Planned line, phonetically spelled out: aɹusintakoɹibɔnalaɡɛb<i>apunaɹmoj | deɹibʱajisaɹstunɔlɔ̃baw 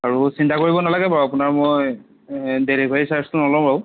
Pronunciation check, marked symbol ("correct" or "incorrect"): incorrect